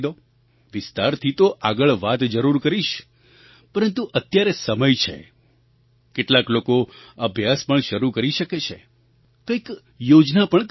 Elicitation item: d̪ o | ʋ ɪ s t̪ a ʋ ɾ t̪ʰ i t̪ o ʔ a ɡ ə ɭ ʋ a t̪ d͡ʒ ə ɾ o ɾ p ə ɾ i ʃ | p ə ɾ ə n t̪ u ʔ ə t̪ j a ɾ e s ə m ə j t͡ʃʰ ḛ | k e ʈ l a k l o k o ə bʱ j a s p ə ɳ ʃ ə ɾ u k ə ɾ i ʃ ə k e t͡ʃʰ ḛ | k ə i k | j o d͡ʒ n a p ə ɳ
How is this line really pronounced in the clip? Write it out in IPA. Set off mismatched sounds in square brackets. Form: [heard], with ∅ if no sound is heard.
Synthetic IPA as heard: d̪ o | ʋ ɪ s t̪ a [∅] ɾ t̪ʰ i t̪ o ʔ a ɡ ə ɭ ʋ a t̪ d͡ʒ ə ɾ [u] ɾ [k] ə ɾ i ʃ | p ə ɾ ə n t̪ u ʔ ə t̪ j a ɾ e s ə m ə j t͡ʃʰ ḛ | k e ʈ l a k l o k o ə bʱ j a s p ə ɳ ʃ ə ɾ u k ə ɾ i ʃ ə k e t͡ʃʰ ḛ | k ə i k | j o d͡ʒ n a p ə ɳ

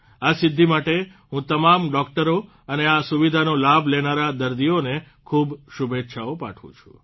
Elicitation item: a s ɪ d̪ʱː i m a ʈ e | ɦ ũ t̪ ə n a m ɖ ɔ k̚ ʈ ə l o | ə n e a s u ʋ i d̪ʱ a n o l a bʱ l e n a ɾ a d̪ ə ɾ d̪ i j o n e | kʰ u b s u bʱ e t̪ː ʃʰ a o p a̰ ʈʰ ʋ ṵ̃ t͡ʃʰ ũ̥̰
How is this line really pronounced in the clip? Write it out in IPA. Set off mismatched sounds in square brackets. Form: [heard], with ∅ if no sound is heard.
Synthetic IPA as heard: a s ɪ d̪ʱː i m a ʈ e | ɦ ũ t̪ ə [m] a m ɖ ɔ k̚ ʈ ə [ɾ] o | ə n e a s u ʋ i d̪ʱ a n o l a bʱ l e n a ɾ a d̪ ə ɾ d̪ i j o n e | kʰ u b [ʃ] u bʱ e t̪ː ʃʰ a o p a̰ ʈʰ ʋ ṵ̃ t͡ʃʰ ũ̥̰

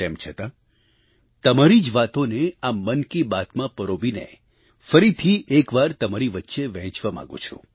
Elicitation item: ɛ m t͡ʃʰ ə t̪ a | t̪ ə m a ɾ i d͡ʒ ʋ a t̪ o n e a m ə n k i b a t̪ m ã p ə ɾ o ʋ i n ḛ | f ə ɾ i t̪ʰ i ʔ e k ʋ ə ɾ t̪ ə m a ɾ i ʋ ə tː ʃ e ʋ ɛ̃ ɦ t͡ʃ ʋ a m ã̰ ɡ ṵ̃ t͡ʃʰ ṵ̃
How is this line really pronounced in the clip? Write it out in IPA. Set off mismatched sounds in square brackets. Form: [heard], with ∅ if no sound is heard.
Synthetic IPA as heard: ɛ m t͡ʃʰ ə t̪ a | t̪ ə m a ɾ i d͡ʒ ʋ a t̪ o n e a m ə n k i b a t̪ m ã p ə ɾ o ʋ i n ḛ | f ə ɾ i t̪ʰ i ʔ e k ʋ [a] ɾ t̪ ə m a ɾ i ʋ ə tː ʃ e ʋ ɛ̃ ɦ t͡ʃ ʋ a m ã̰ ɡ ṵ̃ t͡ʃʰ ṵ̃

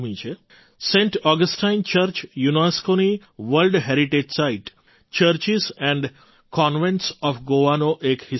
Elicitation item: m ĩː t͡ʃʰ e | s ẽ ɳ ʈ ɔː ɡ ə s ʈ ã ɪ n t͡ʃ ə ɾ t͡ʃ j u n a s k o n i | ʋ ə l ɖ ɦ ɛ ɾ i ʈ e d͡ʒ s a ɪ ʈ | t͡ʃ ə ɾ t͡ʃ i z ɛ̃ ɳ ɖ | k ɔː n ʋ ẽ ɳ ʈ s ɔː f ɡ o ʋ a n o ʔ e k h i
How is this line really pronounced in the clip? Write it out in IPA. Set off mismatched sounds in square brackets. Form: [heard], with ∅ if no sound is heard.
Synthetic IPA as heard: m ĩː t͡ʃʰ e | s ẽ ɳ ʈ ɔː ɡ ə s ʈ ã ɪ n t͡ʃ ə ɾ t͡ʃ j u n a s k o n i | ʋ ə l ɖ ɦ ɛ ɾ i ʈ e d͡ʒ s a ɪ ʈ | t͡ʃ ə ɾ t͡ʃ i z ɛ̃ ɳ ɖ | k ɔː n ʋ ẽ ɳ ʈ s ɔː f ɡ o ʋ a n o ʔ e k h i

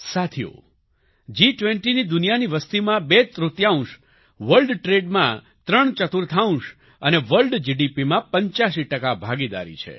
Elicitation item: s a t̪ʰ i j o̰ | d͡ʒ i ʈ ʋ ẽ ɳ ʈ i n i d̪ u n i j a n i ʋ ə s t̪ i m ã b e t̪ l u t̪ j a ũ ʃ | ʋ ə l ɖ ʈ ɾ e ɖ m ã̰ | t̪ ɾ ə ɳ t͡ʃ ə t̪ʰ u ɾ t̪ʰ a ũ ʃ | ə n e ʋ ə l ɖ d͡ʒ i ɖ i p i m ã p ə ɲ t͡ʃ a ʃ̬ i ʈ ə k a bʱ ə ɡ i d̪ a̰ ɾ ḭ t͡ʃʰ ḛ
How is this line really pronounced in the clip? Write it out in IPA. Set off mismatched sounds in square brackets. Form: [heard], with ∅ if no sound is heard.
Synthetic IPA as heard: s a t̪ʰ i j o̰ | d͡ʒ i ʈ ʋ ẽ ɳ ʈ i n i d̪ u n i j a n i ʋ ə s t̪ i m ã b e t̪ [ɾ] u t̪ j a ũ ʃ | ʋ ə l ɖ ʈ ɾ e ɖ m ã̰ | t̪ ɾ ə ɳ t͡ʃ ə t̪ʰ u ɾ t̪ʰ a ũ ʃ | ə n e ʋ ə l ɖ d͡ʒ i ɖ i p i m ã p ə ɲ t͡ʃ a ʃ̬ i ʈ ə k a bʱ [a] ɡ i d̪ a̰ ɾ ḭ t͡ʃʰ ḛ

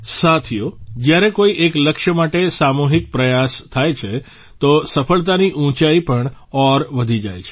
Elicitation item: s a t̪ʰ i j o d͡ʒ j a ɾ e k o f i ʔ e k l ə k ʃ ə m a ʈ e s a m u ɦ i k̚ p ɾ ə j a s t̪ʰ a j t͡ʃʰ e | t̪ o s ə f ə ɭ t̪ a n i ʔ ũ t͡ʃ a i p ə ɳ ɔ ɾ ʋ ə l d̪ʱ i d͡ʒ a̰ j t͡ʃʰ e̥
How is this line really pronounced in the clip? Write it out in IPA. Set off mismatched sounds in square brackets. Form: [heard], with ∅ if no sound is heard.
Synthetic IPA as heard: s a t̪ʰ i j o d͡ʒ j a ɾ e k o [∅] i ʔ e k l ə k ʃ ə m a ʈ e s a m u ɦ i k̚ p ɾ ə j a s t̪ʰ a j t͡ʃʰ e | t̪ o s ə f ə ɭ t̪ a n i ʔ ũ t͡ʃ a i p ə ɳ ɔ ɾ ʋ ə [∅] d̪ʱ i d͡ʒ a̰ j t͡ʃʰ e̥

